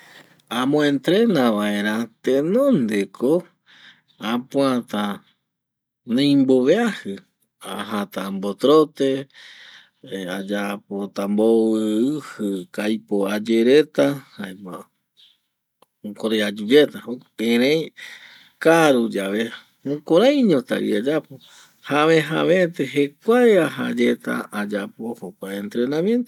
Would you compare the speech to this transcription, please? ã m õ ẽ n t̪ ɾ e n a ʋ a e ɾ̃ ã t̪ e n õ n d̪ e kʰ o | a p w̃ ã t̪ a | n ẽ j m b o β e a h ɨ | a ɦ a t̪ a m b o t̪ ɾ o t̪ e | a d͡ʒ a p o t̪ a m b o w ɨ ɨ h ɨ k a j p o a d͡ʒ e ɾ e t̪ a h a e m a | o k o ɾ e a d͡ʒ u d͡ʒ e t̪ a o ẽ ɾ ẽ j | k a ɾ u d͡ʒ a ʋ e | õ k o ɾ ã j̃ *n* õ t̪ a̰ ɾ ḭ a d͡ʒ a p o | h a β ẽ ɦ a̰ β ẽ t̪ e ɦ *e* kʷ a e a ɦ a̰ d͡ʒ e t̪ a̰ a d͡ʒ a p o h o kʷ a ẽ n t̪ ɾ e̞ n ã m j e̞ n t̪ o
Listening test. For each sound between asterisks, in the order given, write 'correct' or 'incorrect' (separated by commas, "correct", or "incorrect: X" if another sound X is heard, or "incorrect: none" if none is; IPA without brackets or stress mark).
incorrect: ɲ, correct